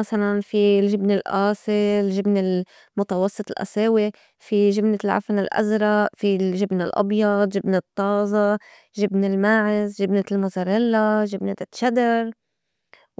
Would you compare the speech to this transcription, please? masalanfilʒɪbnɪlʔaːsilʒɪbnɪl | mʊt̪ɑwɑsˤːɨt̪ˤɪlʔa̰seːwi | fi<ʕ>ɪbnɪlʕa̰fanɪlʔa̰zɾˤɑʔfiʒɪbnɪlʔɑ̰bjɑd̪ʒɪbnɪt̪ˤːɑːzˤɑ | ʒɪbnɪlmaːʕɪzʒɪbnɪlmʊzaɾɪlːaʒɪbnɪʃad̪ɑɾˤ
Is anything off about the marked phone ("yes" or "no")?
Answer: yes